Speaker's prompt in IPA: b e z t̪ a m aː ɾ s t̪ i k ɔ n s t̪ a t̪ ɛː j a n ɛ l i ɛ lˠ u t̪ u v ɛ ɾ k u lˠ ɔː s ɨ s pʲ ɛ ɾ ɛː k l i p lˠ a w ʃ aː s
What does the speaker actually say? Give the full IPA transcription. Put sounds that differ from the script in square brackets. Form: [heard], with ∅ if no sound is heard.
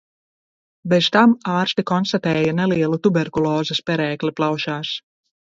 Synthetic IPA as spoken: b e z t̪ a m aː ɾ s t̪ i k ɔ n s t̪ a t̪ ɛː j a n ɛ l i ɛ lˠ u t̪ u [b] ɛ ɾ k u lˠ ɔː [z] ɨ s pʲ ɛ ɾ ɛː k l i p lˠ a w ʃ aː s